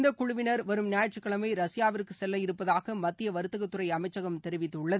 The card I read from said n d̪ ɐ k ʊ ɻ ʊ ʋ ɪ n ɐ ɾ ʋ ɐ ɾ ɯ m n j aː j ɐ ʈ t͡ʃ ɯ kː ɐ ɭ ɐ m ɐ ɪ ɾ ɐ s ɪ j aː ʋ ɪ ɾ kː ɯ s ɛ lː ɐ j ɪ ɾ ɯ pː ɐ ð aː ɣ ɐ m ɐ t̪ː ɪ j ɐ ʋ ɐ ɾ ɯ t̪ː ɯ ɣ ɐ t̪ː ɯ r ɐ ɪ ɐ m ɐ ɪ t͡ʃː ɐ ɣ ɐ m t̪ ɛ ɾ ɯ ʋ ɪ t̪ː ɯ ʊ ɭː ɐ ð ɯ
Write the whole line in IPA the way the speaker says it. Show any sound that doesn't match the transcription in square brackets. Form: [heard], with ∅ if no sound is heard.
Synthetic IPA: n d̪ ɐ k ʊ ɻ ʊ ʋ ɪ n ɐ ɾ ʋ ɐ ɾ ɯ m n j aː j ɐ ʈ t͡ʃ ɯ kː ɐ ɭ ɐ m ɐ ɪ ɾ ɐ s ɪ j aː ʋ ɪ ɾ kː ɯ s ɛ lː ɐ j ɪ ɾ ɯ pː ɐ ð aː ɣ ɐ m ɐ t̪ː ɪ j ɐ ʋ ɐ ɾ ɯ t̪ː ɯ ɣ ɐ t̪ː ɯ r ɐ ɪ ɐ m ɐ ɪ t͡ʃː ɐ ɣ ɐ m t̪ ɛ ɾ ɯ ʋ ɪ t̪ː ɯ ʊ ɭː ɐ ð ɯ